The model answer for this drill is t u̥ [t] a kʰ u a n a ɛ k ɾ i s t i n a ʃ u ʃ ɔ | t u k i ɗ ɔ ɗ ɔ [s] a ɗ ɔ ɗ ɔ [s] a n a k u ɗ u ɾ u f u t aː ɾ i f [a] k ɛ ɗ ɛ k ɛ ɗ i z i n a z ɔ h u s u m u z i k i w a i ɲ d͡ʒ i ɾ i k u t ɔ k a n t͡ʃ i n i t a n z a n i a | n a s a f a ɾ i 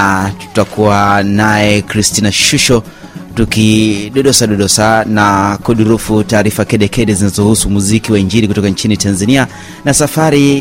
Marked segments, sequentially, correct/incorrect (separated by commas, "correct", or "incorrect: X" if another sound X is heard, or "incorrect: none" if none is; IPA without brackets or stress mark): correct, correct, correct, correct